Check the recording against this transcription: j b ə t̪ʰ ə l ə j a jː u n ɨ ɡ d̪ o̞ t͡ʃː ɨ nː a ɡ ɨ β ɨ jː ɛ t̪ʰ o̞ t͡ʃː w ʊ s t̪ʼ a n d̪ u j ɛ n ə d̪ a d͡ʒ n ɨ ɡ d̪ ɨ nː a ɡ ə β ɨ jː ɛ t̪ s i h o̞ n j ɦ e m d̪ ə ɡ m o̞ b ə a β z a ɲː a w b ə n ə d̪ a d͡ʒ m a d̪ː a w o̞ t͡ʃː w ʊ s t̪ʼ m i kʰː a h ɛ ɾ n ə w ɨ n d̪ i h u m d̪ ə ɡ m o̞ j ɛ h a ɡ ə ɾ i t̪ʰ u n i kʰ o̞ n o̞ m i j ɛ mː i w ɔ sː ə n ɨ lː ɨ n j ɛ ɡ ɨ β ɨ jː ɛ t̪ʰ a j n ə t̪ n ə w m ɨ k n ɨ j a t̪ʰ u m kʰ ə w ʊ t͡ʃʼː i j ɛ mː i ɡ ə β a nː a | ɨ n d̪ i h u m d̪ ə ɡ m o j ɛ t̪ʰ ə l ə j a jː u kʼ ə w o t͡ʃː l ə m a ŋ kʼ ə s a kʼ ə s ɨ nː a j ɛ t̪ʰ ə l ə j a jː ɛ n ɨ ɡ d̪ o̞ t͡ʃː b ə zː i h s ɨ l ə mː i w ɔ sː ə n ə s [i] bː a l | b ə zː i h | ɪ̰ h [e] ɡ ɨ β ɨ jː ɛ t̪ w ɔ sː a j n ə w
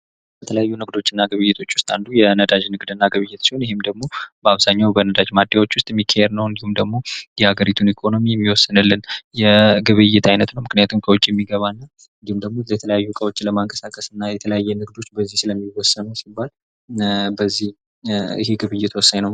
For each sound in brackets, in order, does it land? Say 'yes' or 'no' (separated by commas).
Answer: yes, yes